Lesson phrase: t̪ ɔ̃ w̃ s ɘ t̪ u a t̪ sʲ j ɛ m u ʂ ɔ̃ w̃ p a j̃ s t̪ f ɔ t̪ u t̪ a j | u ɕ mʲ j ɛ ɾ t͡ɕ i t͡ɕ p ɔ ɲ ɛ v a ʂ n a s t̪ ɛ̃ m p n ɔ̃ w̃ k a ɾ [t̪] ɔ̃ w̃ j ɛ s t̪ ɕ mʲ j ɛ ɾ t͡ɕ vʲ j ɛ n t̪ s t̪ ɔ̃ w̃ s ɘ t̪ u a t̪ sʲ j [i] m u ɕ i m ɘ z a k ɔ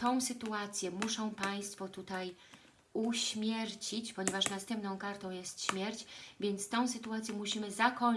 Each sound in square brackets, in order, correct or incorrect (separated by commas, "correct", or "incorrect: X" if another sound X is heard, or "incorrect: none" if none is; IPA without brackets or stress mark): correct, incorrect: ɛ